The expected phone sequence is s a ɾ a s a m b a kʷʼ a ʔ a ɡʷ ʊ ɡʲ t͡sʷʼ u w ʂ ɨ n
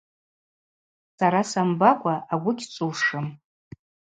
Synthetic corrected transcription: s a ɾ a s a m b a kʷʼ a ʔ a ɡʷ ʊ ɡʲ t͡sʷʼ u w ʂ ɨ m

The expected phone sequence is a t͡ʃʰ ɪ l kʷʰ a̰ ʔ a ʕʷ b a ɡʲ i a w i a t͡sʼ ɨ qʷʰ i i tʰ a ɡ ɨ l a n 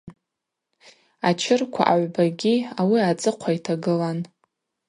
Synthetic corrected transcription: a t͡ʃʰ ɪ r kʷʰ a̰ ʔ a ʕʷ b a ɡʲ i a w i a t͡sʼ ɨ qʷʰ a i tʰ a ɡ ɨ l a n

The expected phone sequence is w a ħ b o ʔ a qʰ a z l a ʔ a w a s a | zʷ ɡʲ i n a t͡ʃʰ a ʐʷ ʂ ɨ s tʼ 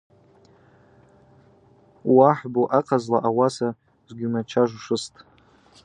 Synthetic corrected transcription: w a ħ b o ʔ a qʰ a z l a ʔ a w a s a | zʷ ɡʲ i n a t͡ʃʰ a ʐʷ ʂ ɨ s tʼ

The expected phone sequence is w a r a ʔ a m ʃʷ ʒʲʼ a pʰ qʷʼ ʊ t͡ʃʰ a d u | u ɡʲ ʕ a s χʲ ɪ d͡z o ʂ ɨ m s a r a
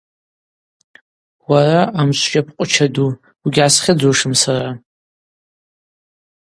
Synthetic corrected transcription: w a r a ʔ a m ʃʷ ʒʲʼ a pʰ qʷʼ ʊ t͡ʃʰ a d u | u ɡʲ ʕ a s χʲ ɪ d͡z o ʂ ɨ m s a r a

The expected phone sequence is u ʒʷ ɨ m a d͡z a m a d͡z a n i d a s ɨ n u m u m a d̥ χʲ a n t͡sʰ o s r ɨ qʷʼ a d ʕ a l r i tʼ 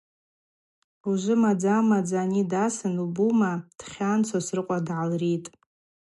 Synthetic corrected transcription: u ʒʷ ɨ m a d͡z a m a d͡z a n i d a s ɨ n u b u m a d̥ χʲ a n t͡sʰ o s r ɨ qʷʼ a d ʕ a l r i tʼ

